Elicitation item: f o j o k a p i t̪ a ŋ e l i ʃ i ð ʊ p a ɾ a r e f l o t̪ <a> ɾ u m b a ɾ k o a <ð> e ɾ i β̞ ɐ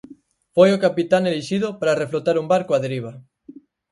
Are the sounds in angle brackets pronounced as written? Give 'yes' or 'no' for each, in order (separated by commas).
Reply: yes, yes